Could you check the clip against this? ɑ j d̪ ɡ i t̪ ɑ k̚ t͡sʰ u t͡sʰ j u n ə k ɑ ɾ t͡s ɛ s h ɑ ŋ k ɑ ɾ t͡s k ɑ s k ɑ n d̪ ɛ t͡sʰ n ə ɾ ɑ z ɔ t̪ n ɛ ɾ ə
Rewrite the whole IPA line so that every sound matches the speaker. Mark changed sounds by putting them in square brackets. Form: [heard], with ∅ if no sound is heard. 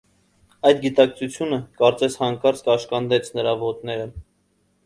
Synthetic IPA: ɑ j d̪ ɡ i t̪ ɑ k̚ t͡sʰ u t͡sʰ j u n ə k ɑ ɾ t͡s ɛ s h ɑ ŋ k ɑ ɾ t͡s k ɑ [ʃ] k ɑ n d̪ ɛ t͡sʰ n ə ɾ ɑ [v] ɔ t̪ n ɛ ɾ ə

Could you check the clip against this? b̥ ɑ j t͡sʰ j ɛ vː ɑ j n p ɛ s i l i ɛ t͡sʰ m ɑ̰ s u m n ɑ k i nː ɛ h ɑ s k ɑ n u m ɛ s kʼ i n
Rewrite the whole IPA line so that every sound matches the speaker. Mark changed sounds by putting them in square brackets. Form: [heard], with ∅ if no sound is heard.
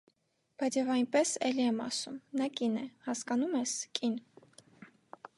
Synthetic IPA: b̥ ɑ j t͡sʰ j ɛ [v] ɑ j n p ɛ s [ɛ] l i ɛ [∅] m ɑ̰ s u m n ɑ k i [n] ɛ h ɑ s k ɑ n u m ɛ s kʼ i n

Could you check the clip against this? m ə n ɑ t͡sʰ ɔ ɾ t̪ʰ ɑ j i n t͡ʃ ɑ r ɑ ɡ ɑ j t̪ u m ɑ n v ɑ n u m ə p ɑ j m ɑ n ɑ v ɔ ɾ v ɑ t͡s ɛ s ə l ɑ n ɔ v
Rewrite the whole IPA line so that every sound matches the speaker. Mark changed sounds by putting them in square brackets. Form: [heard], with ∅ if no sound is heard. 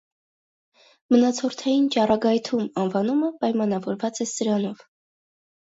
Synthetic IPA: m ə n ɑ t͡sʰ ɔ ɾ t̪ʰ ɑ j i n t͡ʃ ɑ r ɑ ɡ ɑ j [t̪ʰ] u m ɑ n v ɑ n u m ə p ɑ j m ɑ n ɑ v ɔ ɾ v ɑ t͡s ɛ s ə [ɾ] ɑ n ɔ v

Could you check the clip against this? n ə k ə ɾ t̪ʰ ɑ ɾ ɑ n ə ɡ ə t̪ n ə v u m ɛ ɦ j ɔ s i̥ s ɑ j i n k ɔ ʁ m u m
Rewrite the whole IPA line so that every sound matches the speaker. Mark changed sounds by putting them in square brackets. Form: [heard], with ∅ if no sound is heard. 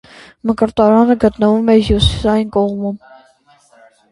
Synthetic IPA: [m] ə k ə ɾ [t̪] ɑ ɾ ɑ n ə ɡ ə t̪ n ə v u m ɛ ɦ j [u] s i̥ s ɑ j i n k ɔ ʁ m u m

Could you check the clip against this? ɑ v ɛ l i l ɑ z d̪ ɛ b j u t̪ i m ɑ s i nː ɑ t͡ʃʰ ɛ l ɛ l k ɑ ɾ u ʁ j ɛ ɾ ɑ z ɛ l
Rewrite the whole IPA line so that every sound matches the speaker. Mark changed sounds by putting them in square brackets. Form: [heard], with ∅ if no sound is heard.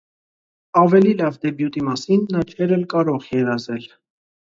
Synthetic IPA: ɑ v ɛ l i l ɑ [v] d̪ ɛ b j u t̪ i m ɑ s i nː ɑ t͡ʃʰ ɛ [ɾ] ɛ l k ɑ ɾ [ɔ] ʁ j ɛ ɾ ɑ z ɛ l

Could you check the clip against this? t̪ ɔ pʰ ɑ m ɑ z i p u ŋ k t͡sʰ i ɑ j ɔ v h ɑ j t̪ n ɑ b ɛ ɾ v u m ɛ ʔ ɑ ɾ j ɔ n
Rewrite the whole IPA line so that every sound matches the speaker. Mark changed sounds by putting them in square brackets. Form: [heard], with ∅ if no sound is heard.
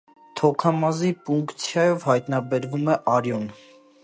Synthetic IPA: [t̪ʰ] ɔ [kʰ] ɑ m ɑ z i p u ŋ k t͡sʰ [j] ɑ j ɔ v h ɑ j t̪ n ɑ b ɛ ɾ v u m ɛ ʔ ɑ ɾ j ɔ n

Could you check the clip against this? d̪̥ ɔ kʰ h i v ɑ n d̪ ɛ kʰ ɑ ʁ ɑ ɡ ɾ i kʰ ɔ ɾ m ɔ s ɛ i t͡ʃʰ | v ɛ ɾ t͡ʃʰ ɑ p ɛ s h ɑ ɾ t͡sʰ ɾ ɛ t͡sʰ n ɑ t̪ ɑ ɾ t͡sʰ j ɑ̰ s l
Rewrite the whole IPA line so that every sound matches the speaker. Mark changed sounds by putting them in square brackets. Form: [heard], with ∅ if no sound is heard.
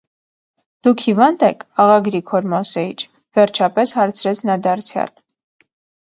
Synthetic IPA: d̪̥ [u] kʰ h i v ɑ n d̪ ɛ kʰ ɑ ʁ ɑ ɡ ɾ i kʰ ɔ ɾ m ɔ s ɛ i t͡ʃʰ | v ɛ ɾ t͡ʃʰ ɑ p ɛ s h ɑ ɾ t͡sʰ ɾ ɛ t͡sʰ n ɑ [d̪] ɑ ɾ t͡sʰ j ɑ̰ [∅] l

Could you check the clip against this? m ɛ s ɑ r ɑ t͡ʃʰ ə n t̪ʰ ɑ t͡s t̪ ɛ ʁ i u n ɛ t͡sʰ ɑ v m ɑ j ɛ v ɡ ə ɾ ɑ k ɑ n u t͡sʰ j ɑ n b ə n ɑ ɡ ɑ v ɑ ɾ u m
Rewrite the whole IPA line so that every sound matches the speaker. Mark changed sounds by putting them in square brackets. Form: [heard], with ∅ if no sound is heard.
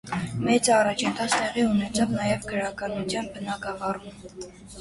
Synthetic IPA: m ɛ [t͡s] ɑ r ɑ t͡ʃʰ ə n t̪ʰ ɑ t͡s t̪ ɛ ʁ i u n ɛ t͡sʰ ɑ v [n] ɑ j ɛ v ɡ ə ɾ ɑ k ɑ n u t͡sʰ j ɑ n b ə n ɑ ɡ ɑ v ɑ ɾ u m

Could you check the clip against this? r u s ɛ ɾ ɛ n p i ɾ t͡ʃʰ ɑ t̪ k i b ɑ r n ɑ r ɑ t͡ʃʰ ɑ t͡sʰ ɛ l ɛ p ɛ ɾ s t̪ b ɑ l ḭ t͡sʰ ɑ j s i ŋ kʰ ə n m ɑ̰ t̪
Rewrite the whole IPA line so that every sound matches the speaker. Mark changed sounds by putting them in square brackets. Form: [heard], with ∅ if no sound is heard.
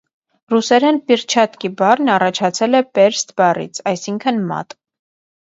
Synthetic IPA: r u s ɛ ɾ ɛ n p i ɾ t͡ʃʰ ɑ t̪ k i b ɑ r n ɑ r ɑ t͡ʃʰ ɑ t͡sʰ ɛ l ɛ p ɛ ɾ s t̪ b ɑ [r] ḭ t͡sʰ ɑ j s i ŋ kʰ ə n m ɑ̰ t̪

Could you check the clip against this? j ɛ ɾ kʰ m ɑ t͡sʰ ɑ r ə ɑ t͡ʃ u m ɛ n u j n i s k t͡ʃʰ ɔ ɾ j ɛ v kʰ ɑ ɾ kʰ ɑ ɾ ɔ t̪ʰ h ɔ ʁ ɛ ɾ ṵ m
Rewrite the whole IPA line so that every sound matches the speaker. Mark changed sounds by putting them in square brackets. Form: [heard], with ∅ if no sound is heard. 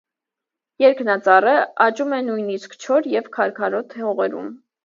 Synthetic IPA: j ɛ ɾ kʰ [n] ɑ [t͡s] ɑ r ə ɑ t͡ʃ u m ɛ n u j n i s k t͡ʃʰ ɔ ɾ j ɛ v kʰ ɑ ɾ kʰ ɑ ɾ ɔ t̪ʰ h ɔ ʁ ɛ ɾ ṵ m

